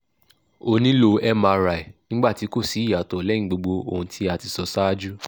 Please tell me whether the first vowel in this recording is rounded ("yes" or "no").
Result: yes